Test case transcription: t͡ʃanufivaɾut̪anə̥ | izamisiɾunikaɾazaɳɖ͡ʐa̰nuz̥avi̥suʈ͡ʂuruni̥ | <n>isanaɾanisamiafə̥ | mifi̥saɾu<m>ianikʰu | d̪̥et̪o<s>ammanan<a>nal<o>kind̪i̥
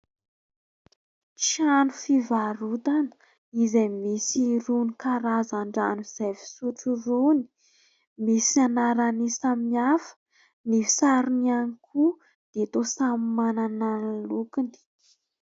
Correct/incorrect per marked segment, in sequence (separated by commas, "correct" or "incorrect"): incorrect, incorrect, correct, correct, incorrect